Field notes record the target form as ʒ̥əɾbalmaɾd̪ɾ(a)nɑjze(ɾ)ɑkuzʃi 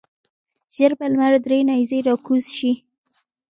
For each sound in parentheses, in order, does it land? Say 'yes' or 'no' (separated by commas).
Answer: no, yes